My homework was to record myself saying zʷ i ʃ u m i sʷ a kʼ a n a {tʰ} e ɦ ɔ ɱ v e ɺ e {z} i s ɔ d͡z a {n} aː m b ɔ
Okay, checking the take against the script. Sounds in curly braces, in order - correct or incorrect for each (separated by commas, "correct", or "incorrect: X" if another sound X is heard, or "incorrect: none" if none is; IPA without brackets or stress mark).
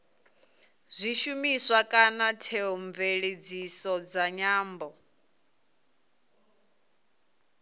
correct, incorrect: d͡z, incorrect: ɲ